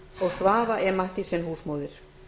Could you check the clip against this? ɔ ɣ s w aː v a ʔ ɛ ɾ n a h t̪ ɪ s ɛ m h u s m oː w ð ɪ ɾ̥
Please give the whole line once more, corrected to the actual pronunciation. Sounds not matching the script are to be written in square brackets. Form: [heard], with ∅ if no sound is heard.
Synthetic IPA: ɔ ɣ s [v] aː v a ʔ ɛ ɾ [m] a h t̪ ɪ s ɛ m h [uː] s m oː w ð ɪ ɾ̥

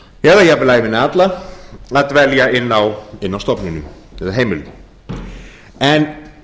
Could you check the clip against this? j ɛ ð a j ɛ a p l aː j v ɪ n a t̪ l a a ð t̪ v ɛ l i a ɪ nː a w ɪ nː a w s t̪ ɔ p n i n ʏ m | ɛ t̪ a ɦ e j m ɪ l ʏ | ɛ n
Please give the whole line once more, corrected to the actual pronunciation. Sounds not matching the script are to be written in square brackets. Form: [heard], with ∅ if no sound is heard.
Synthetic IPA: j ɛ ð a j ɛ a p l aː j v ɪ n a t̪ l a a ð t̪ v ɛ l [j] a ɪ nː a w ɪ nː a w s t̪ ɔ p n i n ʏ m | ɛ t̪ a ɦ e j m ɪ l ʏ | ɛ n

